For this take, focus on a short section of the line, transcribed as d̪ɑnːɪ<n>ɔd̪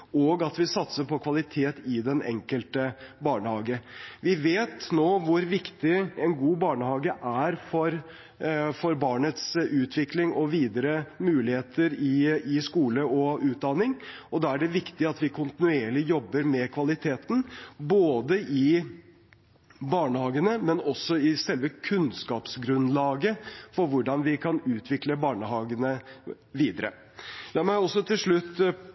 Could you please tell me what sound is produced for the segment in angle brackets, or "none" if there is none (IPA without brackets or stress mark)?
ŋ